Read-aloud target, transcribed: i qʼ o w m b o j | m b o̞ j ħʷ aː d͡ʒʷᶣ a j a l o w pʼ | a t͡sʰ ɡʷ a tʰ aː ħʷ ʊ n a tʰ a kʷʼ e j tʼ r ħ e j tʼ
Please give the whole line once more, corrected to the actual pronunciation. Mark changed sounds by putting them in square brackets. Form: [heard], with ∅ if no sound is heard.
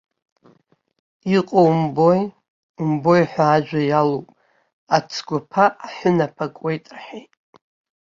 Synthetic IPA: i qʼ o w m b o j | m b o̞ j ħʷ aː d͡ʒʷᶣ a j a l o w pʼ | a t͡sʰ ɡʷ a [pʰ] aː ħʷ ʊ n a [pʰ] a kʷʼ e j tʼ r ħ e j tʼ